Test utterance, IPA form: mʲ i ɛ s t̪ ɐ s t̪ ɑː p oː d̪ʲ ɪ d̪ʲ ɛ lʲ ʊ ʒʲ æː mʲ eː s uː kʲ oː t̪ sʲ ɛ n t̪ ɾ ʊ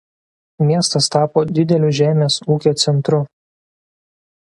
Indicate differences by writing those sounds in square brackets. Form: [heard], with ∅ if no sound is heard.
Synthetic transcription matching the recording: mʲ i ɛ s t̪ ɐ s t̪ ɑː p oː d̪ʲ ɪ d̪ʲ ɛ lʲ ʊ ʒʲ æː mʲ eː s uː kʲ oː t̪ sʲ ɛ n t̪ ɾ ʊ